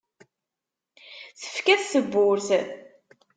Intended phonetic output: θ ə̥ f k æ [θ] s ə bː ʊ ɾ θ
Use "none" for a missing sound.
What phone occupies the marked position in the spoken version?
θ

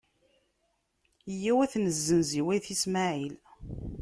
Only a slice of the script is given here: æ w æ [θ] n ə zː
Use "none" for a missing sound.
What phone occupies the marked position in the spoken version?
θ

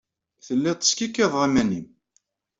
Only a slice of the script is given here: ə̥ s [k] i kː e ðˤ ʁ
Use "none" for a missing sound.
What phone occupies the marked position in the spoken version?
k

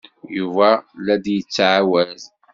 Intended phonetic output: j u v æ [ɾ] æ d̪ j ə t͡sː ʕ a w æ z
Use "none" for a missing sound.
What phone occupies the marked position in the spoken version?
l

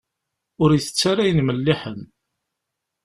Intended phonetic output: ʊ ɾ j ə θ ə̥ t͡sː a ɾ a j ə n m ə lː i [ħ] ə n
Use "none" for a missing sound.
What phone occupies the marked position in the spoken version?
ħ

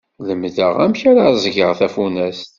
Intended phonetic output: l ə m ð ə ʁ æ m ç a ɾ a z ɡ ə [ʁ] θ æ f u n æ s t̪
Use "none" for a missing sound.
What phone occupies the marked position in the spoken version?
ʁ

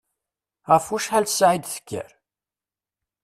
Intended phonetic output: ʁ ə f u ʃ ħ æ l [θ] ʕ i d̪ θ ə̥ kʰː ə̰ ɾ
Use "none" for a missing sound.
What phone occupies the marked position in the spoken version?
s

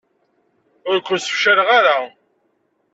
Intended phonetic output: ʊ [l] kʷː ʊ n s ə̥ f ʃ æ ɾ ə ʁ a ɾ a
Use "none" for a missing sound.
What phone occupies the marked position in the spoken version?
ɾ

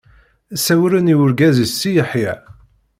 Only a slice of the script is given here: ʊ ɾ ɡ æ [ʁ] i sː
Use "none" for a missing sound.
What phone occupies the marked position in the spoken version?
z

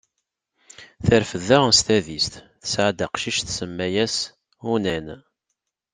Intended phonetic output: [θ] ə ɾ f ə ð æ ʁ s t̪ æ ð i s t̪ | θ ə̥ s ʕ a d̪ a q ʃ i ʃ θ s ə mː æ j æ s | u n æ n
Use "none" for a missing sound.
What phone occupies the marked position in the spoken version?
θ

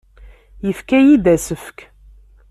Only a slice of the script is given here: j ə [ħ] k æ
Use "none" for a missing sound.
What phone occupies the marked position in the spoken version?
f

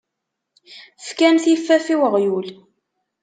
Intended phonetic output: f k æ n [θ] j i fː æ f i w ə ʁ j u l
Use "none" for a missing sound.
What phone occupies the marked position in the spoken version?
θ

